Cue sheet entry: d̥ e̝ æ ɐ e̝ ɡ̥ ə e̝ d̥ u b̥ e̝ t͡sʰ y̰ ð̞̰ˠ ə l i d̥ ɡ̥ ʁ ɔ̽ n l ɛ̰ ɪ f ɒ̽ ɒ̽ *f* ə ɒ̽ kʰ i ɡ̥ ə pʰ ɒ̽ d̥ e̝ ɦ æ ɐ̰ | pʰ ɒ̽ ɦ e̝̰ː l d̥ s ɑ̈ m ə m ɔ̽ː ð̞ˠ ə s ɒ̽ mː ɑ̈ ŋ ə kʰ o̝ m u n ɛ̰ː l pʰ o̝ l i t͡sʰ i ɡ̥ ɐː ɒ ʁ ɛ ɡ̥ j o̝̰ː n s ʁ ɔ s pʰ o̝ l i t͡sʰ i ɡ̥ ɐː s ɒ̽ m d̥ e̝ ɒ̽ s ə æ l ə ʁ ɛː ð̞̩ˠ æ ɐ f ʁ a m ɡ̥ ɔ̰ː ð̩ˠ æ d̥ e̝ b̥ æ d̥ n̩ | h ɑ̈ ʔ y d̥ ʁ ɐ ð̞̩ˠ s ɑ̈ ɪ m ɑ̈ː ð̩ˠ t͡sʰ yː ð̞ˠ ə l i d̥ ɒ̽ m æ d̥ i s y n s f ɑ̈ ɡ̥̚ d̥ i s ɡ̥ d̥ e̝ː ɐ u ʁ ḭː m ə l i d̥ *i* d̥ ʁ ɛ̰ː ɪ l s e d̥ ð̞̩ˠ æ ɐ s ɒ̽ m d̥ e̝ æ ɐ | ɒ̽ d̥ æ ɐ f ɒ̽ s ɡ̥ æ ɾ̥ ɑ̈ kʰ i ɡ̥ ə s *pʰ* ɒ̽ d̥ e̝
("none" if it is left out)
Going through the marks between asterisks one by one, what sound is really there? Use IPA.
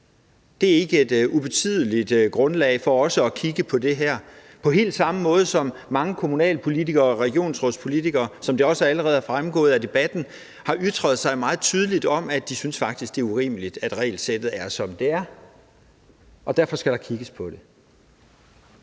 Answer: s, æ, pʰ

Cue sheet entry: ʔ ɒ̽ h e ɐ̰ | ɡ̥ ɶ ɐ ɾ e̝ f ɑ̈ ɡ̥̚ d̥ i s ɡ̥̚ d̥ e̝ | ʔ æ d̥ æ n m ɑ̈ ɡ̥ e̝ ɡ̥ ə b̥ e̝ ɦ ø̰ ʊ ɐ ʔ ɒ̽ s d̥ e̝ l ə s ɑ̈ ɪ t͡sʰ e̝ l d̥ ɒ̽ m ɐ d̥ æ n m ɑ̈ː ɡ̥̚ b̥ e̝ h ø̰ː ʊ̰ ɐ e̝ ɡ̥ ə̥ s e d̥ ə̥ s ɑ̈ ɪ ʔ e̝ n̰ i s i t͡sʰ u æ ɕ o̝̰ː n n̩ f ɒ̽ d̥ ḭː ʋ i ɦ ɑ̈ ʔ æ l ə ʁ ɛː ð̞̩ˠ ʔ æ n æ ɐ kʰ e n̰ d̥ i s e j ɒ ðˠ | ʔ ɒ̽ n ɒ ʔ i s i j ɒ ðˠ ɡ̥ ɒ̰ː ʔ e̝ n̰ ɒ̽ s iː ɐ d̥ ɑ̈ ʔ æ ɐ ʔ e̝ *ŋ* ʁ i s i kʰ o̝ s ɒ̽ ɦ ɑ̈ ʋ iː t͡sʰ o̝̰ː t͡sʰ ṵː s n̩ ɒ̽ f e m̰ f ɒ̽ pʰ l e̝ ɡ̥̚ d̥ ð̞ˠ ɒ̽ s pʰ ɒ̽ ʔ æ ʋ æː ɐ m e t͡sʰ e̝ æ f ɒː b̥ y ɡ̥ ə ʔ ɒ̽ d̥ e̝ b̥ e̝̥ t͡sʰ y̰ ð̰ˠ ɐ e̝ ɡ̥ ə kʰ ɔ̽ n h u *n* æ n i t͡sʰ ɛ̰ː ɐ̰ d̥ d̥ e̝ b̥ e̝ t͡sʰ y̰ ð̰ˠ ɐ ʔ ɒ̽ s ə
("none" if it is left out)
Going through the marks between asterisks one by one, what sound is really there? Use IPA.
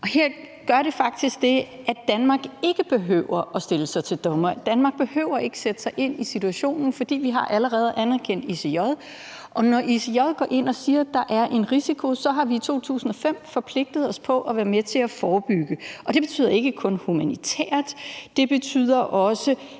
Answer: n, m

